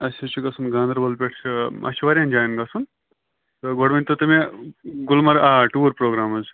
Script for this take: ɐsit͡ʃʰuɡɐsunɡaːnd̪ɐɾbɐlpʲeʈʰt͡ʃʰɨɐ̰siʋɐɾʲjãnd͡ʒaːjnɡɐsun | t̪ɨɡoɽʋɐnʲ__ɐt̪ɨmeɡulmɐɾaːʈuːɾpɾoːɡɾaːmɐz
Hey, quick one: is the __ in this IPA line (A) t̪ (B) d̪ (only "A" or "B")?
A